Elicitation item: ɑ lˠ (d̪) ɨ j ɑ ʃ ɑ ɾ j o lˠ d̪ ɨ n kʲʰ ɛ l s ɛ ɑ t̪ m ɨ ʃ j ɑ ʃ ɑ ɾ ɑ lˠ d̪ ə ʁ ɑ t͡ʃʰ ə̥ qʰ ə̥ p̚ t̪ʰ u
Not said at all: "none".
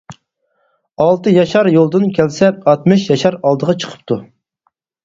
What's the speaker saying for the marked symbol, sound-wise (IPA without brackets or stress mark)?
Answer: t̪